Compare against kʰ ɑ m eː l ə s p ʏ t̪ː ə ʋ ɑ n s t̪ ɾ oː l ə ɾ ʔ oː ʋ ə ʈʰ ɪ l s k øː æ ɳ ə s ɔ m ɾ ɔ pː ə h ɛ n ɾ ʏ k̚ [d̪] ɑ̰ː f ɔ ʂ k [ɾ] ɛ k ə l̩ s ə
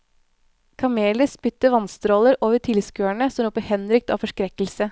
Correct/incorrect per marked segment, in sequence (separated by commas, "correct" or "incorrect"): incorrect, correct